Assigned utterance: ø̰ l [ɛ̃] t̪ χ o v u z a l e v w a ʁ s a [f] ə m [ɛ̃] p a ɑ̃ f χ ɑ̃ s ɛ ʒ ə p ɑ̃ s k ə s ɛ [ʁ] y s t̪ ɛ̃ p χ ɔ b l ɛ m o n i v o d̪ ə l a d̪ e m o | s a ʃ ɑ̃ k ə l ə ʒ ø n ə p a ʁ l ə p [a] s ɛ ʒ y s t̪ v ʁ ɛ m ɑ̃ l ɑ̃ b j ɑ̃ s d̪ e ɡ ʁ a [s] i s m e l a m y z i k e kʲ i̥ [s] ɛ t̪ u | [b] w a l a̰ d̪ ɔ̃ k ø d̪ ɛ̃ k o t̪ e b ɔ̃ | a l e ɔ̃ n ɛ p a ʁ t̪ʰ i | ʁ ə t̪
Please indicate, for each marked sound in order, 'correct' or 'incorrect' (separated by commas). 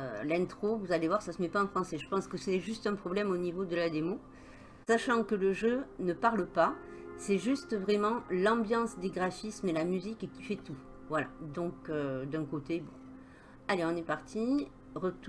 correct, incorrect, incorrect, incorrect, correct, incorrect, incorrect, incorrect